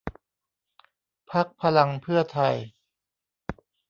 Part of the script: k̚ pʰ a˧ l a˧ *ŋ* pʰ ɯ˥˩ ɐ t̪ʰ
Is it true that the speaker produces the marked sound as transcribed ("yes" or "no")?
yes